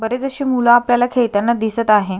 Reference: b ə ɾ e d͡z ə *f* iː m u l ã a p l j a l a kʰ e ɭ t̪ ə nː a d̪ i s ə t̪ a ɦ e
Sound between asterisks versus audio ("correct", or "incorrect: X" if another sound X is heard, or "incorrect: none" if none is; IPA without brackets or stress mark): incorrect: ɕ